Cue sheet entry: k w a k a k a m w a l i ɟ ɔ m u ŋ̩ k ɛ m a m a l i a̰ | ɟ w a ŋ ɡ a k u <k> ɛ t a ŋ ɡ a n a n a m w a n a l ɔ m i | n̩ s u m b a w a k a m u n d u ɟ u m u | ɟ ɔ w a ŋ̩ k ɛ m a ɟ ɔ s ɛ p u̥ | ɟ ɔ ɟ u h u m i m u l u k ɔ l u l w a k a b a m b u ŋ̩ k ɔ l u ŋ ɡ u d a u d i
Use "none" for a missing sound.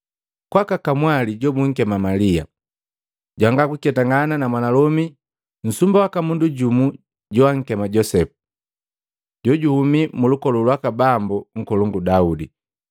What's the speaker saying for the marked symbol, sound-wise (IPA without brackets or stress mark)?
k